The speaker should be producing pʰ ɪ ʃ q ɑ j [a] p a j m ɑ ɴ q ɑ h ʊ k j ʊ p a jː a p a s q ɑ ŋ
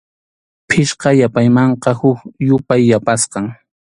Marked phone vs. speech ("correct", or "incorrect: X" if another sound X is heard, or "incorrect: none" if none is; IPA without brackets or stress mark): correct